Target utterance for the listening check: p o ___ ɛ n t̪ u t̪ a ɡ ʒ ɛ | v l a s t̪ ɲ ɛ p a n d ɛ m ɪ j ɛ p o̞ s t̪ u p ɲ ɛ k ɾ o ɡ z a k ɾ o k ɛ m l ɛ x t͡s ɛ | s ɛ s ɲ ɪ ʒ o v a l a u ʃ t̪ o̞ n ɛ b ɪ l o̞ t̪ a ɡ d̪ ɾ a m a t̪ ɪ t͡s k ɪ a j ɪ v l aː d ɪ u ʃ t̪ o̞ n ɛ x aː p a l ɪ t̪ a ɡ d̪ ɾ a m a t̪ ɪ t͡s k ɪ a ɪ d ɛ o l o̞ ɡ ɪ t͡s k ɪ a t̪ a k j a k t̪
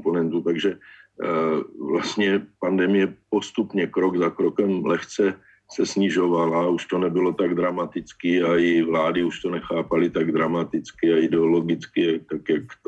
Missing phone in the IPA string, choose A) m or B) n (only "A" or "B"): B